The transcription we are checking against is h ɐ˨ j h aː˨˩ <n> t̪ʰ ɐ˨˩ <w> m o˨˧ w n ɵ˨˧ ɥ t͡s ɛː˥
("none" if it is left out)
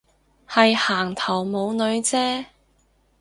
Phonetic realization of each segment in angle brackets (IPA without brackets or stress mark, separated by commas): ŋ, w